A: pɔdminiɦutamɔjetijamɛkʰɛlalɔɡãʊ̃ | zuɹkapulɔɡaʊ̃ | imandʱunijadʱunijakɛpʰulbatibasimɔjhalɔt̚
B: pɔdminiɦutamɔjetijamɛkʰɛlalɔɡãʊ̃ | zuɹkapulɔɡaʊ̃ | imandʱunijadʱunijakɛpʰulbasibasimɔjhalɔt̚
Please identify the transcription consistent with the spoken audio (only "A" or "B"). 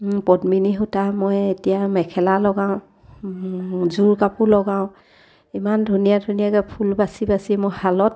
B